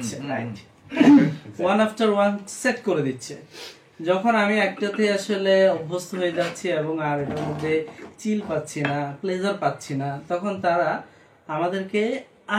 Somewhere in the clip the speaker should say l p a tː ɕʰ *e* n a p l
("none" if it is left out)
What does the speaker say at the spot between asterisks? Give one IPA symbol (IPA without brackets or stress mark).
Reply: i